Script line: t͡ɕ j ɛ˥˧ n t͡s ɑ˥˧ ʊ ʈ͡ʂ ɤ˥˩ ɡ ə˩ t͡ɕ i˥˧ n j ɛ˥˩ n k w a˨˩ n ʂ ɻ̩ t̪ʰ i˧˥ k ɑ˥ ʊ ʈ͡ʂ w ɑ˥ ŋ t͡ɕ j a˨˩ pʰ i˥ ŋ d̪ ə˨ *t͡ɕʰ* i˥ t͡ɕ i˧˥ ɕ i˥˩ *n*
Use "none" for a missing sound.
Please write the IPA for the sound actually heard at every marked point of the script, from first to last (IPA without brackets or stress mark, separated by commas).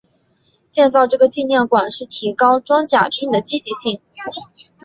t͡ɕ, ŋ